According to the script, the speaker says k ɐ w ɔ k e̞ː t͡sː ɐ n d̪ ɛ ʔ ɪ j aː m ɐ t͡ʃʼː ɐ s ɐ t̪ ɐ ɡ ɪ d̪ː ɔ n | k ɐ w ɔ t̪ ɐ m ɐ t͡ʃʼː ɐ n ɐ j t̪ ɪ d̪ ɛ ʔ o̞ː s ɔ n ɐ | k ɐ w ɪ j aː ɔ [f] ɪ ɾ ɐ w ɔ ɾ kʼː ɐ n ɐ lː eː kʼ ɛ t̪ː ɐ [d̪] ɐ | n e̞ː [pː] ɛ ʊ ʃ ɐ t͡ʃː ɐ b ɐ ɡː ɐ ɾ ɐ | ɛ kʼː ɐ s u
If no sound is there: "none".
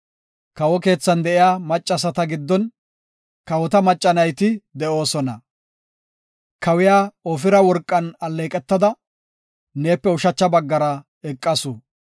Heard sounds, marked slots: f, d̪, pː

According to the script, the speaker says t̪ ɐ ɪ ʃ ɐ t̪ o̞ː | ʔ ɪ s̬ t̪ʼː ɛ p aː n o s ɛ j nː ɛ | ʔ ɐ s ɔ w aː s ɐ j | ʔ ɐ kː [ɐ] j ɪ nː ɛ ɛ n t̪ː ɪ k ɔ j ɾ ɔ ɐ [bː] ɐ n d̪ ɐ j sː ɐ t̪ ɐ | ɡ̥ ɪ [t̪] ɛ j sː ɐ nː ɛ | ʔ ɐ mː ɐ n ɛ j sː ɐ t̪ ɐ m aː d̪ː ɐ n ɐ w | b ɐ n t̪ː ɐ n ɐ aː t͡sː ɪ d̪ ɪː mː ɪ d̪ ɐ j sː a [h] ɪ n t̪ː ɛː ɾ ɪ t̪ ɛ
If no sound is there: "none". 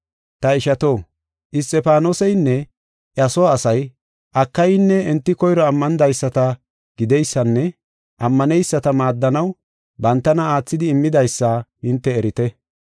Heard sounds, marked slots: ɐ, mː, d̪, h

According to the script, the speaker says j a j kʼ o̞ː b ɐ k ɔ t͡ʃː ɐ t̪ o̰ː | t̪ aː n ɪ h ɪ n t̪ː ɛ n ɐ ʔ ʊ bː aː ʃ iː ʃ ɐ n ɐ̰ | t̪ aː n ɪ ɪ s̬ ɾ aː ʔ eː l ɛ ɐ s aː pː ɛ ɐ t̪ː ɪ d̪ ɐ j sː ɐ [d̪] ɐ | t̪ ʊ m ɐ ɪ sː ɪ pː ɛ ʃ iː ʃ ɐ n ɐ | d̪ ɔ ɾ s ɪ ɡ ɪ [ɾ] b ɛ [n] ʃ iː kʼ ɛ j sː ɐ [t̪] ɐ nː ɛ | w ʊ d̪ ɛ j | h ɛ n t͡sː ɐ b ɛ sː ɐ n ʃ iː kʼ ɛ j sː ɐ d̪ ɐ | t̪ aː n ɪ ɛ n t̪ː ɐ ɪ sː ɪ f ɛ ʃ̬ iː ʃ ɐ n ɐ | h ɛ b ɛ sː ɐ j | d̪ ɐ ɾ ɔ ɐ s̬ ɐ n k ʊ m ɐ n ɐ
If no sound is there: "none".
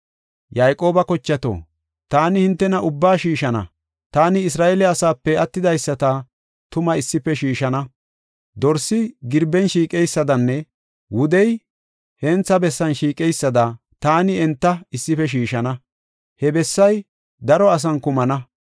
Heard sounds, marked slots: t̪, ɾ, n, d̪

